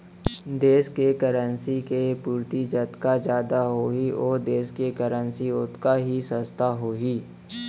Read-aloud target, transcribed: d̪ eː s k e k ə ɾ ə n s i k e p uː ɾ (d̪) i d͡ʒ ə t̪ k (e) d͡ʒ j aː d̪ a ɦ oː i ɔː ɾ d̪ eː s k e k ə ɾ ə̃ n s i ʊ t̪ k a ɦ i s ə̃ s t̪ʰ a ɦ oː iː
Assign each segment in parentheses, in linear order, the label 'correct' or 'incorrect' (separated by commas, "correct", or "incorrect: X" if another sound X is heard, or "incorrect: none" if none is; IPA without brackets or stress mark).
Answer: incorrect: t̪, incorrect: a